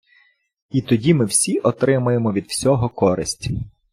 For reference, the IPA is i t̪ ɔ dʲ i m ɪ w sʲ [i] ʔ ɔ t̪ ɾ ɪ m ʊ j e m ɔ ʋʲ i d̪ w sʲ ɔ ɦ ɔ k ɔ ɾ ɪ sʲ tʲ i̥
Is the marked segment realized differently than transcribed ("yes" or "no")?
no